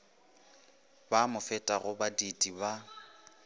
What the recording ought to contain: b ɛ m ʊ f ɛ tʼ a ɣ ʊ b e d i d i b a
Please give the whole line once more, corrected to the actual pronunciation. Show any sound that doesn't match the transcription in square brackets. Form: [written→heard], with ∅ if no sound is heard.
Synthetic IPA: b [ɛ→a] m ʊ f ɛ tʼ a ɣ ʊ b [e→a] d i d i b a